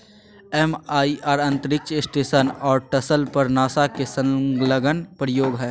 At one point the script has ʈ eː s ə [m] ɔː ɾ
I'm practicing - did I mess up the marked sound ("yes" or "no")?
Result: yes